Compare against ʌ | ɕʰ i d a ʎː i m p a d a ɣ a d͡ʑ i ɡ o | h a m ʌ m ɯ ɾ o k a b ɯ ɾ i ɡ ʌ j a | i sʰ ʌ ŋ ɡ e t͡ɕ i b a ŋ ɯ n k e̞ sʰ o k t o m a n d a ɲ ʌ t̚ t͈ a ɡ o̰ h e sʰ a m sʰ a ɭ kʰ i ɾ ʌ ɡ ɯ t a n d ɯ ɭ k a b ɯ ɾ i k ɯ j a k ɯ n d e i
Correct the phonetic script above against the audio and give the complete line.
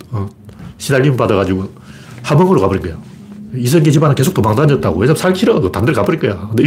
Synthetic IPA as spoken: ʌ | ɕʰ i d a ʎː i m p a d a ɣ a d͡ʑ i ɡ o | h a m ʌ ŋ ɯ ɾ o k a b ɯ ɾ i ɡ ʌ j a | i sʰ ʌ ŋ ɡ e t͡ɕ i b a n ɯ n k e̞ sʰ o k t o m a ŋ d a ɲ ʌ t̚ t͈ a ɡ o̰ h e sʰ a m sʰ a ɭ kʰ i ɾ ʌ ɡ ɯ t a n d ɯ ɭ k a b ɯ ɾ i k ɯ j a k ɯ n d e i